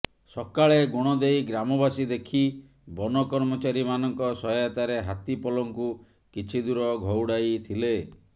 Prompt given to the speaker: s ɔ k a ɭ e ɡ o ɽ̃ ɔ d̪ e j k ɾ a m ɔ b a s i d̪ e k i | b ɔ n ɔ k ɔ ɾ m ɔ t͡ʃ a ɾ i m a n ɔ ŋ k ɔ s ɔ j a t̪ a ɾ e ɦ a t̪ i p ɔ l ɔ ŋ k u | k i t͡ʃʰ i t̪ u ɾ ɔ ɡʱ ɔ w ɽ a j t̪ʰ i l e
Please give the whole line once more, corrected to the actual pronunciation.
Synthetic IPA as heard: s ɔ k a ɭ e ɡ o ɽ̃ ɔ d̪ e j ɡ ɾ a m ɔ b a s i d̪ e kʰ i | b ɔ n ɔ k ɔ ɾ m ɔ t͡ʃ a ɾ i m a n ɔ ŋ k ɔ s ɔ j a t̪ a ɾ e ɦ a t̪ i p ɔ l ɔ ŋ k u | k i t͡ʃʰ i d̪ u ɾ ɔ ɡʱ ɔ w ɽ a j t̪ʰ i l e